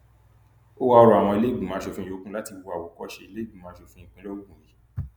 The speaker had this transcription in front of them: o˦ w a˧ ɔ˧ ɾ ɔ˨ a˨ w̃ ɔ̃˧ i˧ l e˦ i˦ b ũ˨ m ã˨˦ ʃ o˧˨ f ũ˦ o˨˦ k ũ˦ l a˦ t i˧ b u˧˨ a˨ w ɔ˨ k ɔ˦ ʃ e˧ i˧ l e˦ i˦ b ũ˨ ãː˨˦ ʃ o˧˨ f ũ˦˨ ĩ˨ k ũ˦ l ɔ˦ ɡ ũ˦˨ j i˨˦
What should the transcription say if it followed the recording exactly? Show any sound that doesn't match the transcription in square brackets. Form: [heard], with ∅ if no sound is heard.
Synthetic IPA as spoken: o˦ w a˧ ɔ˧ ɾ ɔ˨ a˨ w̃ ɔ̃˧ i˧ l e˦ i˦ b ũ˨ m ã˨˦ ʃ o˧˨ f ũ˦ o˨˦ k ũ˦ l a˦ t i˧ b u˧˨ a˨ w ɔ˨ k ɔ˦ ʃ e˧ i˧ l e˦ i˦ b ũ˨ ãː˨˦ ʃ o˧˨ f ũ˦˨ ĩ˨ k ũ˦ l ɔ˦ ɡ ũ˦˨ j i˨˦

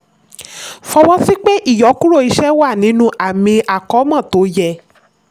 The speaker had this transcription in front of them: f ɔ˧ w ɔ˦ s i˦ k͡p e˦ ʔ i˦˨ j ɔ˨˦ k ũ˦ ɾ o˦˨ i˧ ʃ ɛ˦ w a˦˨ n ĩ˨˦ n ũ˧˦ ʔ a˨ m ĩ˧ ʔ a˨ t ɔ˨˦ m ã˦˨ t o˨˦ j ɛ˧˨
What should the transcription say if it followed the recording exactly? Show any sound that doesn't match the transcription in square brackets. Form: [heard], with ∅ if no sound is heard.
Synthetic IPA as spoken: f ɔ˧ w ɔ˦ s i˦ k͡p e˦ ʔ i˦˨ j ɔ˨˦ k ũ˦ ɾ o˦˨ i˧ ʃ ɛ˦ w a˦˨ n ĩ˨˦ n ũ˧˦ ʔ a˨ m ĩ˧ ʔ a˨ [k] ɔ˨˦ m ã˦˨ t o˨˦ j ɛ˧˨

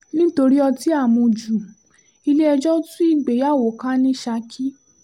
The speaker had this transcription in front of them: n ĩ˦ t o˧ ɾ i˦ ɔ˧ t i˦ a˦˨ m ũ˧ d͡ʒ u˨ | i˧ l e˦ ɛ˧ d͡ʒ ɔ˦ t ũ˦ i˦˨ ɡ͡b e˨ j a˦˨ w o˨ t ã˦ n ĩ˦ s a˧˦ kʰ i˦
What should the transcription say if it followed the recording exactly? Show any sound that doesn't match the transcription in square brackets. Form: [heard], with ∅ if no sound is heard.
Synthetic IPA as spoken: n ĩ˦ t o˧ ɾ i˦ ɔ˧ t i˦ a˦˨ m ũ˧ d͡ʒ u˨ | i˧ l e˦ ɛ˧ d͡ʒ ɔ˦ t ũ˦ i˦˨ ɡ͡b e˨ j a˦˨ w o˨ [k] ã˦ n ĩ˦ [ʃ] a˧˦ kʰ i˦

